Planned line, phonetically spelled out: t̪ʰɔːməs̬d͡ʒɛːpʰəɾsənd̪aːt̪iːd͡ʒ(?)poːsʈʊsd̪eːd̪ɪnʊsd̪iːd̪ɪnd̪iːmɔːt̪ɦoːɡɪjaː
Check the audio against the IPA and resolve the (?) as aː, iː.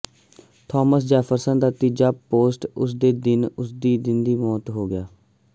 aː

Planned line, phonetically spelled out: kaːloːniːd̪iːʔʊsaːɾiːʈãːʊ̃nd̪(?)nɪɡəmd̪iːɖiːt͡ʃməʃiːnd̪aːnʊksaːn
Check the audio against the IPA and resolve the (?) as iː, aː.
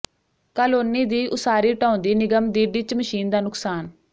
iː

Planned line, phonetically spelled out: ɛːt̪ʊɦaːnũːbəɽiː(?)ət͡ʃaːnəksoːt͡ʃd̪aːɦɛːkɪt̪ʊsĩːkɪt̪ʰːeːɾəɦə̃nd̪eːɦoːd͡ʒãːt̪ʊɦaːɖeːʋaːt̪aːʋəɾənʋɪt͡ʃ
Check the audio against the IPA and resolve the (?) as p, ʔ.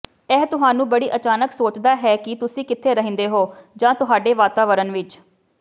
ʔ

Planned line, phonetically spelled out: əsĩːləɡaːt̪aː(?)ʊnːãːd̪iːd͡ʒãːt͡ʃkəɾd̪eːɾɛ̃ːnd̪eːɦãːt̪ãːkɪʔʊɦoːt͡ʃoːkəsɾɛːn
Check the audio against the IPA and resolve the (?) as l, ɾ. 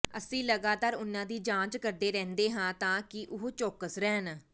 ɾ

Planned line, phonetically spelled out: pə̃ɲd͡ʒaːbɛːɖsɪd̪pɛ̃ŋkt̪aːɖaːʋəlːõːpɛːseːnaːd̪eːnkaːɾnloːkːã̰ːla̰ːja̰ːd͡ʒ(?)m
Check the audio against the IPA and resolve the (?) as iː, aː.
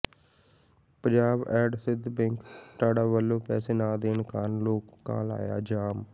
aː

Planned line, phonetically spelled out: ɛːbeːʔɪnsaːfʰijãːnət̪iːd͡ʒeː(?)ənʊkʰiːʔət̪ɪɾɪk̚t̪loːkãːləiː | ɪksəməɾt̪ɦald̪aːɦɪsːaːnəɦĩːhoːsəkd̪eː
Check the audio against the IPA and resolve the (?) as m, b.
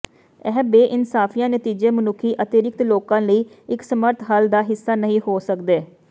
m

